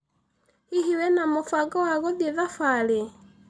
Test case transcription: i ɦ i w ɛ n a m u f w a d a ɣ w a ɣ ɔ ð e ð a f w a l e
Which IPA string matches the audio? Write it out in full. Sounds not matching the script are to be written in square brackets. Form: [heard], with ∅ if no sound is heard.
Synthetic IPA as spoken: i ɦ i w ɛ n a m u f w a [ɡ] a [∅] w a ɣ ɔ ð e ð a f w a l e